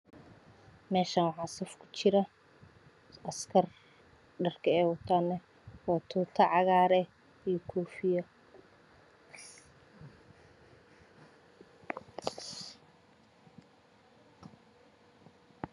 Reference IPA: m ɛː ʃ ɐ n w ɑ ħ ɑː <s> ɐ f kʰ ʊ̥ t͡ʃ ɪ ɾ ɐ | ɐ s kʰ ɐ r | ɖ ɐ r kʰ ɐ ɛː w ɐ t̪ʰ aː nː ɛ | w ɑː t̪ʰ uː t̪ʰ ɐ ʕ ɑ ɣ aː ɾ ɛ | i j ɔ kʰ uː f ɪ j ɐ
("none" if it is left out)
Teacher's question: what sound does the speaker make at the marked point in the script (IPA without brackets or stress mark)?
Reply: s